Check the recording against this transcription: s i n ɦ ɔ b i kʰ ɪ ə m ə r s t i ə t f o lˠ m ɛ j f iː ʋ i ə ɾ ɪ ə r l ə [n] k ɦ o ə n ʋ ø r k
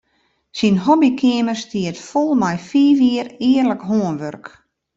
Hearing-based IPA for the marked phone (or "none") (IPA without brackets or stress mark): none